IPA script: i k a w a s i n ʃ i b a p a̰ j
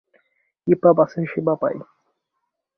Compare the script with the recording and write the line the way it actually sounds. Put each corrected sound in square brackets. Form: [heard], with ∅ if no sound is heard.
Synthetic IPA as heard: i [p] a [b] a s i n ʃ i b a p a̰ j

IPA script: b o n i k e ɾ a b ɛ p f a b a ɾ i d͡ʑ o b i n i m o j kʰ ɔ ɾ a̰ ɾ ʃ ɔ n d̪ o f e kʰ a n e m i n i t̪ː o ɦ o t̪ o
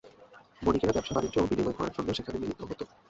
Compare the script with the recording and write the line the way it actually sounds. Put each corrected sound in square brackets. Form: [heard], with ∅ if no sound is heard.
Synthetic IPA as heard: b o n i k e ɾ a b ɛ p [ʃ] a b a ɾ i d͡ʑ o b i n i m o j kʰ ɔ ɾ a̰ ɾ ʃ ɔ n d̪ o [ʃ] e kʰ a n e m i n i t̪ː o ɦ o t̪ o

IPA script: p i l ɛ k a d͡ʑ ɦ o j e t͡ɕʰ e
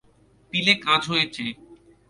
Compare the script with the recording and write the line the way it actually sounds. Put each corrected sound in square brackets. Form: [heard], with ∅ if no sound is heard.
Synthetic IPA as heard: p i l [e] k a d͡ʑ ɦ o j e t͡ɕʰ e

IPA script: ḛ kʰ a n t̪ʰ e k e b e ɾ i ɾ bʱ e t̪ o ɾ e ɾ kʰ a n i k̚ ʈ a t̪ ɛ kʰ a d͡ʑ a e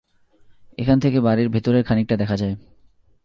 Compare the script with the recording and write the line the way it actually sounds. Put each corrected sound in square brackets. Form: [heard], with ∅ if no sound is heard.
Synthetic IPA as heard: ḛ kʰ a n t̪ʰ e k e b [a] ɾ i ɾ bʱ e t̪ o ɾ e ɾ kʰ a n i k̚ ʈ a [d̪] ɛ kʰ a d͡ʑ a e

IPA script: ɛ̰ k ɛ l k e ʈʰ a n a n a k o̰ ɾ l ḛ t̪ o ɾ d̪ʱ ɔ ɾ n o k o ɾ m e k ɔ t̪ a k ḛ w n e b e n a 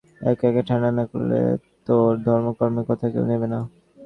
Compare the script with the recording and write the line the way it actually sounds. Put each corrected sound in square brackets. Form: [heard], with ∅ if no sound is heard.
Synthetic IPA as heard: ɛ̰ k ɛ [∅] k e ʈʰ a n a n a k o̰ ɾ l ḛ t̪ o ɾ d̪ʱ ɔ ɾ [m] o k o ɾ m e k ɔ [t̪ʰ] a k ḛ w n e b e n a

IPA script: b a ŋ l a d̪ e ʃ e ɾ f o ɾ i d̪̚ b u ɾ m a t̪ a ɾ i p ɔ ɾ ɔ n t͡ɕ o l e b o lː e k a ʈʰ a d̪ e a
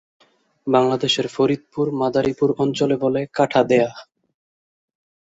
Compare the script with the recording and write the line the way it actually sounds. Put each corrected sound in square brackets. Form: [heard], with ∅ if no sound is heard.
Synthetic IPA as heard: b a ŋ l a d̪ e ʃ e ɾ f o ɾ i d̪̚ [p] u ɾ m a [d̪] a ɾ i p [u] ɾ ɔ n t͡ɕ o l e b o [l] e k a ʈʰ a d̪ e a

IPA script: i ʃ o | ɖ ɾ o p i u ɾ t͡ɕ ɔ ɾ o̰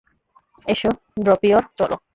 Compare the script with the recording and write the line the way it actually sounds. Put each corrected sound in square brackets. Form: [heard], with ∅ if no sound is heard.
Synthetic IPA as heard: [e] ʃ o | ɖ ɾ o p i [o] ɾ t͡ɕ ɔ [l] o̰

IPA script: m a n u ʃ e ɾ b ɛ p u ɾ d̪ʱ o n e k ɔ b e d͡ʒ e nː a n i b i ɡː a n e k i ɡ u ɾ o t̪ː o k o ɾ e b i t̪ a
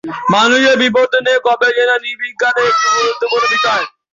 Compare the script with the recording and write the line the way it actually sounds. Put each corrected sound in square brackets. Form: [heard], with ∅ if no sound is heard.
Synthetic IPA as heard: m a n u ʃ e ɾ b [i] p [o] ɾ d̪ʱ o n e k ɔ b e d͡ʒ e [n] a n i b i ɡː a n e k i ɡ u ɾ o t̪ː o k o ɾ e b i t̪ a

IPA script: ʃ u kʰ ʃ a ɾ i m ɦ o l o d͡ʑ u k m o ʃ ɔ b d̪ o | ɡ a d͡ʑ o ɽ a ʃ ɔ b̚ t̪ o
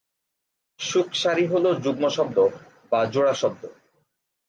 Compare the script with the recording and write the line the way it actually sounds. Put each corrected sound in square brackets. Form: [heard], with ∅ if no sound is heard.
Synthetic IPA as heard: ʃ u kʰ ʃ a ɾ i [∅] ɦ o l o d͡ʑ u [ɡ] m o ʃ ɔ b d̪ o | [b] a d͡ʑ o ɽ a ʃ ɔ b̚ [d̪] o

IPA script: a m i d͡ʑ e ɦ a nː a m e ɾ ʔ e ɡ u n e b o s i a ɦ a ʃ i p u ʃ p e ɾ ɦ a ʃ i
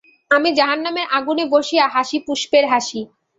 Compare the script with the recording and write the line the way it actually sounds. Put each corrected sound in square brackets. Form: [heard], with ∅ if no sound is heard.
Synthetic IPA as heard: a m i d͡ʑ [a] ɦ a nː a m e ɾ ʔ [a] ɡ u n e b o [ʃ] i a ɦ a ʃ i p u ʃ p e ɾ ɦ a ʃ i

